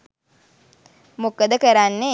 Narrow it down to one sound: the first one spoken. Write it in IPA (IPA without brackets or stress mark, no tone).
m